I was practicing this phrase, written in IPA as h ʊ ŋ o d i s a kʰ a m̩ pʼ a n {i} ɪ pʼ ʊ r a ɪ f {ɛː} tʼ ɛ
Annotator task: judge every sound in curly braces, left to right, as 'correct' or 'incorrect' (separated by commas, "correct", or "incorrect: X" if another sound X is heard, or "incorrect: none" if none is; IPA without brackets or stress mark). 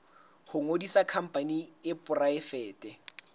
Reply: correct, correct